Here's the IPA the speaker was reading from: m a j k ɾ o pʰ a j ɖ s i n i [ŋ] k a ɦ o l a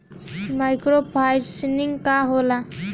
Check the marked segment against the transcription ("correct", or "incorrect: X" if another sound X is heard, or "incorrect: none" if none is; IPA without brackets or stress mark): correct